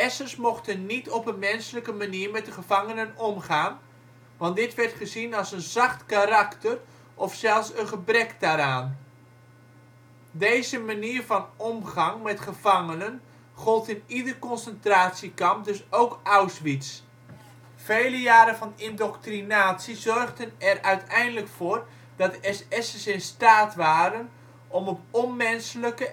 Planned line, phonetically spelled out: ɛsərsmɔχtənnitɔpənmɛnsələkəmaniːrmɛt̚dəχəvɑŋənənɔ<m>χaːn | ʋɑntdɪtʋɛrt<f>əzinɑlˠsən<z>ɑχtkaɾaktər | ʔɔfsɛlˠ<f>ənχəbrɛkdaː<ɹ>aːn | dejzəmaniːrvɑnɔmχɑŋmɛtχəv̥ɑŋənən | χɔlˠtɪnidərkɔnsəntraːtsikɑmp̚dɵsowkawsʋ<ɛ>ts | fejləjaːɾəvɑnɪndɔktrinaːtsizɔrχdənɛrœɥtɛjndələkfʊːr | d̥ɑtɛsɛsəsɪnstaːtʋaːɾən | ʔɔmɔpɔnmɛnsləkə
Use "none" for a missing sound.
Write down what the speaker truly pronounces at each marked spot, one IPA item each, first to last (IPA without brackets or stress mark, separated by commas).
m, χ, z, s, ɾ, i